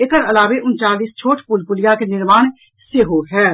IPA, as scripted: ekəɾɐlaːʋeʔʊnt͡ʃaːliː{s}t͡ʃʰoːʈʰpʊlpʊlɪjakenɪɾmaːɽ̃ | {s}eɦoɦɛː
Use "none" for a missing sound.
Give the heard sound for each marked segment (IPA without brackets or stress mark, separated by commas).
s, s